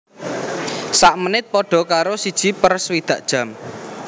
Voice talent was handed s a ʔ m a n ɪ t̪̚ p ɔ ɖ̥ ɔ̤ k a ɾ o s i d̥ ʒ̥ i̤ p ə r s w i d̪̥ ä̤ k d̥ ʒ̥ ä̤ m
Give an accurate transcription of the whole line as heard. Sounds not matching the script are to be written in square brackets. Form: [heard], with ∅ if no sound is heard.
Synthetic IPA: s a ʔ m [ə] n ɪ t̪̚ p ɔ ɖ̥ ɔ̤ k a ɾ o s i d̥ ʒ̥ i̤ p ə r s w i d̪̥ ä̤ [ʔ] d̥ ʒ̥ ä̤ m